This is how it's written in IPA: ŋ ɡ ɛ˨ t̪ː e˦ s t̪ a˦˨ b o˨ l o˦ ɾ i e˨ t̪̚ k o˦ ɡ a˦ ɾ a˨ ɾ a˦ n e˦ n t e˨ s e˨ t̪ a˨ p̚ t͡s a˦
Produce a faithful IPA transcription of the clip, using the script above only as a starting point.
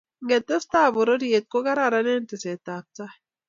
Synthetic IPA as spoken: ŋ ɡ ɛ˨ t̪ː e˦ s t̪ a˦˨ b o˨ ɾ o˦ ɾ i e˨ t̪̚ k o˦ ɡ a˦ ɾ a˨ ɾ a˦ n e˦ n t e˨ s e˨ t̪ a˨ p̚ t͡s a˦